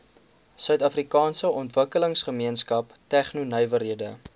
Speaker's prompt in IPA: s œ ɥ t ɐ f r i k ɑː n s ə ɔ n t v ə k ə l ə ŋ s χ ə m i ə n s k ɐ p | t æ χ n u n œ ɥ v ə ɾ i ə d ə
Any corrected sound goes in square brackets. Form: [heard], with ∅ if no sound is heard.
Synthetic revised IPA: s œ ɥ t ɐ f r i k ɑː n s ə ɔ n t v ə k ə l ə ŋ s χ ə m i ə n s k ɐ p | t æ χ n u n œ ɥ v ə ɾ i ə d ə

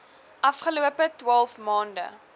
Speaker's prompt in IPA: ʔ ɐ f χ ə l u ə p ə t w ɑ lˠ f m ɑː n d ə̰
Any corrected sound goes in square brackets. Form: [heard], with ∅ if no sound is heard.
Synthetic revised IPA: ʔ ɐ f χ ə l u ə p ə t w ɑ lˠ f m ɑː n d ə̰

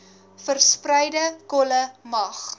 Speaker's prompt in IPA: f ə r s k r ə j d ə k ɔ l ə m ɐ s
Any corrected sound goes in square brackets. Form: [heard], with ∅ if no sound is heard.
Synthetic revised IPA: f ə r s [p] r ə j d ə k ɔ l ə m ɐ [χ]

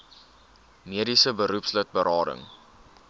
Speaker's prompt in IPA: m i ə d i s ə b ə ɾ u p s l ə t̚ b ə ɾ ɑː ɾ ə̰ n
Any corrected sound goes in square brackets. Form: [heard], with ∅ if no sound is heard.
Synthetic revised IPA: m i ə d i s ə b ə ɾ u p s l ə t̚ b ə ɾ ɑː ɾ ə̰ [ŋ]

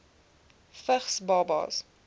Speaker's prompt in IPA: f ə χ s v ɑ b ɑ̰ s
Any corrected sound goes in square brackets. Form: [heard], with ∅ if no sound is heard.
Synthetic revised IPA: f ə χ s [b] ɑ b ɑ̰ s

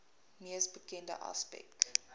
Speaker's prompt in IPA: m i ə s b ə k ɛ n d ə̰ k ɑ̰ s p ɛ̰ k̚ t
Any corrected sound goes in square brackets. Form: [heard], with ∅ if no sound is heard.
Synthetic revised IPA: m i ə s b ə k ɛ n d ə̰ [ʔ] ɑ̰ s p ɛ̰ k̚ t

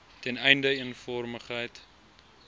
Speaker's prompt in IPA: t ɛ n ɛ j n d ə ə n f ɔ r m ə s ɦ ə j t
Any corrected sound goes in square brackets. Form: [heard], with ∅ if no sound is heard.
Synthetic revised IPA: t ɛ n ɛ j n d ə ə n f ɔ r m ə [χ] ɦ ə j t

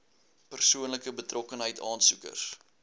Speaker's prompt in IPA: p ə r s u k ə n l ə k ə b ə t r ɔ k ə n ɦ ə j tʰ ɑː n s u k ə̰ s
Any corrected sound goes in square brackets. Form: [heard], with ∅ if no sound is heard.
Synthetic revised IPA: p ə r s u [∅] ə n l ə k ə b ə t r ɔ k ə n ɦ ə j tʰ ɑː n s u k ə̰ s

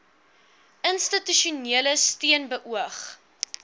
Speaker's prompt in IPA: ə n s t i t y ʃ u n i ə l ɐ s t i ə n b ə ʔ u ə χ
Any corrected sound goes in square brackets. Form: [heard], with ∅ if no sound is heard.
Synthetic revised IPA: ə n s t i t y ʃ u n i ə l [ə] s t i ə n b ə ʔ u ə χ

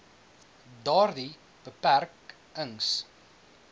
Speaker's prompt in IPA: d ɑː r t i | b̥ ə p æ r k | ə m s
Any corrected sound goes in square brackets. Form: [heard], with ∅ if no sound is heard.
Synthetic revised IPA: d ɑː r [d] i | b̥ ə p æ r k | ə [ŋ] s

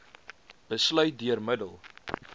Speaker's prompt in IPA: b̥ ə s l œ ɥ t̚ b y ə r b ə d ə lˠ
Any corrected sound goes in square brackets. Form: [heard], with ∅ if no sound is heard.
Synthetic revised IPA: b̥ ə s l œ ɥ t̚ [d] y ə r [m] ə d ə lˠ

